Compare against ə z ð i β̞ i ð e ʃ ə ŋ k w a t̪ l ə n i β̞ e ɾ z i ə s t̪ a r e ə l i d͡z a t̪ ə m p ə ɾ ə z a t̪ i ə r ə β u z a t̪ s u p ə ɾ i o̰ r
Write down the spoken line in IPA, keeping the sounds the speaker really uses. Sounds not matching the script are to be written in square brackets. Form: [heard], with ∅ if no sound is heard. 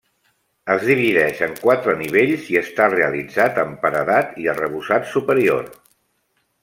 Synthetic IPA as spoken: ə z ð i β̞ i ð [ɛ] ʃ ə ŋ k w a t̪ [ɾ] ə n i β̞ e [ʎ] z i ə s t̪ a r e ə l i d͡z a t̪ ə m p ə ɾ ə [ð] a t̪ i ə r ə β u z a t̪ s u p ə ɾ i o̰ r